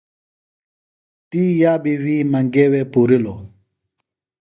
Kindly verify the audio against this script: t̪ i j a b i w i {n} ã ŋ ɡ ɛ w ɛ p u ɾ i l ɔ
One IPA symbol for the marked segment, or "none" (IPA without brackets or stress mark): m